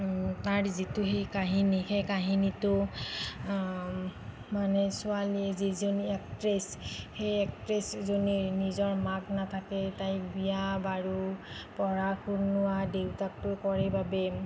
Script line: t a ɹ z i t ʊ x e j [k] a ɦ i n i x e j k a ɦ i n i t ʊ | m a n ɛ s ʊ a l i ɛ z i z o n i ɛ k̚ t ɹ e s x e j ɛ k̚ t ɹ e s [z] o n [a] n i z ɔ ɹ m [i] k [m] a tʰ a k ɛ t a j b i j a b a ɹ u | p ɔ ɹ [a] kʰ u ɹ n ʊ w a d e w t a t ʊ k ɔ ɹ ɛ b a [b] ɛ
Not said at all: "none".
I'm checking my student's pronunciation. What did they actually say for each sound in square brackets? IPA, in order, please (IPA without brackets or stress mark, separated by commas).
k, z, i, a, n, a, b